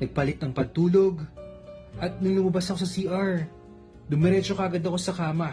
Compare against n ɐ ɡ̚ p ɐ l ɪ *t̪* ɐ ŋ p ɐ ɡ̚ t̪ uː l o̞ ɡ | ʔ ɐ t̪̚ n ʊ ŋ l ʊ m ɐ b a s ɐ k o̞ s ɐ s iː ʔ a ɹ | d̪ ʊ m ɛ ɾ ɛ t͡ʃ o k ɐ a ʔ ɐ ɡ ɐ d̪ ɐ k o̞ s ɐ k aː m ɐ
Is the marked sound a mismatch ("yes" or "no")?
no